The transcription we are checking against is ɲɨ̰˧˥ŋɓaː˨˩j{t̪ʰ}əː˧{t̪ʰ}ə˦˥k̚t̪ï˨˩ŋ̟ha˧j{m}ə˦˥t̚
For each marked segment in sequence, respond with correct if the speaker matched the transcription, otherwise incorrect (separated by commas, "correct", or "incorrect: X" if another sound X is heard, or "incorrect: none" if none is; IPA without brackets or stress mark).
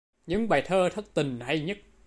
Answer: correct, correct, incorrect: ɲ